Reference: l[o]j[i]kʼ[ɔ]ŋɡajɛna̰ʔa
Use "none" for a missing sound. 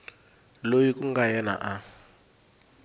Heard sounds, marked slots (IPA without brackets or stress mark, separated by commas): o, i, u